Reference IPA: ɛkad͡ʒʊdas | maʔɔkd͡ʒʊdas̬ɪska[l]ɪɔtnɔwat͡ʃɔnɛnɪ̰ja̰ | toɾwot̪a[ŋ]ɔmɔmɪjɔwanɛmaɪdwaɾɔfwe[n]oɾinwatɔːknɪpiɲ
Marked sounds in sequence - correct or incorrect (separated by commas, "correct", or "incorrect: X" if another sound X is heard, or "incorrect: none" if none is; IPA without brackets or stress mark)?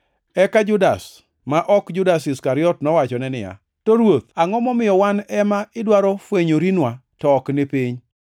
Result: incorrect: ɾ, correct, incorrect: ɲ